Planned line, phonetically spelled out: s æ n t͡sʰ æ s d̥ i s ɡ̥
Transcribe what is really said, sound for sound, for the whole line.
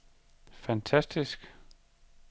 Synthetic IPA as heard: f æ n t͡sʰ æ s d̥ i s ɡ̥